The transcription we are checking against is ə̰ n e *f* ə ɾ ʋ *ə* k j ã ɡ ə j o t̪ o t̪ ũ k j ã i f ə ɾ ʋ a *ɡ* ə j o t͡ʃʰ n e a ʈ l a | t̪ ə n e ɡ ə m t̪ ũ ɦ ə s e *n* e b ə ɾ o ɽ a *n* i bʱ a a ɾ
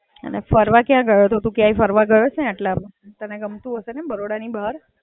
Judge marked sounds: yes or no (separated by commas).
yes, no, yes, yes, yes